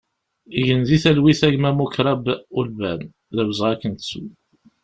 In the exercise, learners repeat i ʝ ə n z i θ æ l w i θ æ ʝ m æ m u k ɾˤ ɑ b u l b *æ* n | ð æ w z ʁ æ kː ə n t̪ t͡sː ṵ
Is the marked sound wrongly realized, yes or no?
no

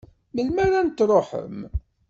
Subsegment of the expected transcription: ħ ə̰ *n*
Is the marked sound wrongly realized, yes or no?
yes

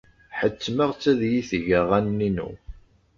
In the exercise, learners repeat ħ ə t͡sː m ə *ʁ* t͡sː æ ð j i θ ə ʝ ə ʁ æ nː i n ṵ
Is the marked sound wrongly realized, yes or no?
no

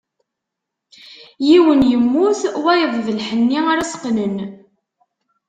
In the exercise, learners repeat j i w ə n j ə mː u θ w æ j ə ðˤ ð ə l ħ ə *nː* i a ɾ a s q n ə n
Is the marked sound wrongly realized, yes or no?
no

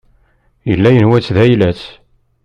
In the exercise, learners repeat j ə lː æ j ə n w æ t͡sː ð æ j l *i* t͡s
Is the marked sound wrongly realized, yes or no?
yes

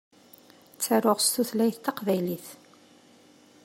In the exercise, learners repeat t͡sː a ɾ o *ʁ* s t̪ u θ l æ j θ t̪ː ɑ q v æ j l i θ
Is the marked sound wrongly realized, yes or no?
no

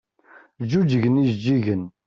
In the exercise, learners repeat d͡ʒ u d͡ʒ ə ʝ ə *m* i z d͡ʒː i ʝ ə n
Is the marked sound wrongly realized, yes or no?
yes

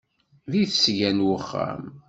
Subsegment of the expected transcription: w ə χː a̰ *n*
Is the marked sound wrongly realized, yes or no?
yes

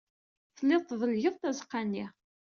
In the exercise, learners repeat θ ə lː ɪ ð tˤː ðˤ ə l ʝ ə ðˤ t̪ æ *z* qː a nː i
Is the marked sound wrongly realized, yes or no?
no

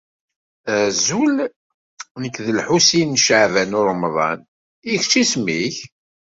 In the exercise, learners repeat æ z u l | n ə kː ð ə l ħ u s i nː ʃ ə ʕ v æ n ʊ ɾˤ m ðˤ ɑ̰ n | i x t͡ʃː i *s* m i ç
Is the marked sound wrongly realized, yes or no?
no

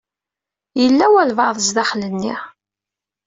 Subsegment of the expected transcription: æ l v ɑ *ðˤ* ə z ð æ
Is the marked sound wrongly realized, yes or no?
no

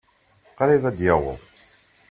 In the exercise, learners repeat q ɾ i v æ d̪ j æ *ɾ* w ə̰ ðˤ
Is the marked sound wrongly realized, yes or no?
yes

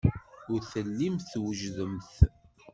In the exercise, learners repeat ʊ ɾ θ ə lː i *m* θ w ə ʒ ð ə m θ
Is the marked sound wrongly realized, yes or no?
no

